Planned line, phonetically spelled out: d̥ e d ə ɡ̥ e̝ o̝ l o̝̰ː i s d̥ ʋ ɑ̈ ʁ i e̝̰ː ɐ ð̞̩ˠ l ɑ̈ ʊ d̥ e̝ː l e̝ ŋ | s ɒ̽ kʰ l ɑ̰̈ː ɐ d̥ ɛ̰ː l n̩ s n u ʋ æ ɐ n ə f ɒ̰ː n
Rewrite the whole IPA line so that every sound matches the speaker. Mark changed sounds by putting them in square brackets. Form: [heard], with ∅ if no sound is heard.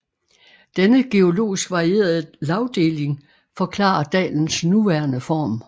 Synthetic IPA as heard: d̥ e [n] ə ɡ̥ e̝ o̝ l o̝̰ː i s [ɡ̥] ʋ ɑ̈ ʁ i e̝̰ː ɐ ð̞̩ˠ l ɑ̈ ʊ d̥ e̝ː l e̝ ŋ | [f] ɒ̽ kʰ l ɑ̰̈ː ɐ d̥ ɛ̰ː l n̩ s n u ʋ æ ɐ n ə f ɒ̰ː [m]